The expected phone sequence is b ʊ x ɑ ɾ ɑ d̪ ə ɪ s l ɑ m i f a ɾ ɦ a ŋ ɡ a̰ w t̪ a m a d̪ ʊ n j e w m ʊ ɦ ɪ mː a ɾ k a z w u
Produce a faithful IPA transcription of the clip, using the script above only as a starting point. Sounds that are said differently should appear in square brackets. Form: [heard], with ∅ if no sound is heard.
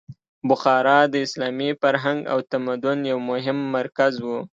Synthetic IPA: b ʊ x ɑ ɾ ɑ d̪ ə ɪ s l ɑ m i f a ɾ ɦ a ŋ ɡ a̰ w t̪ a m a d̪ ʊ n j [a] w m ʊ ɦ ɪ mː a ɾ k a z w u